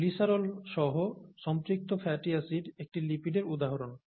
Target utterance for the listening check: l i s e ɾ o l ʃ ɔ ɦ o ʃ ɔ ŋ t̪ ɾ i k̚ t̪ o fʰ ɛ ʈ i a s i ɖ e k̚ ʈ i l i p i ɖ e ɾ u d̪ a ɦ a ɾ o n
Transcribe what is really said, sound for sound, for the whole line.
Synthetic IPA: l i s a ɾ o l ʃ ɔ ɦ o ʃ ɔ m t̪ ɾ i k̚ t̪ o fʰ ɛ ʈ i a s i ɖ e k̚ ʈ i l i p i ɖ e ɾ u d̪ a ɦ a ɾ o n